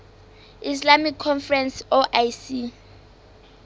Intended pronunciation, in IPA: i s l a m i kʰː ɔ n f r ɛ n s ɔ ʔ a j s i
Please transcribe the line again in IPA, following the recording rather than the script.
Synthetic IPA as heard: i s l a m i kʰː ɔ n f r ɛ n s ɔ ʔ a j s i